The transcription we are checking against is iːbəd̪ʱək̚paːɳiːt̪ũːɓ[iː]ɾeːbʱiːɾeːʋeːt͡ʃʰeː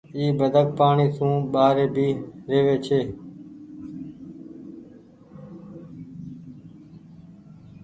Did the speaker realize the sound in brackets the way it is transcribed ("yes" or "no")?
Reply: no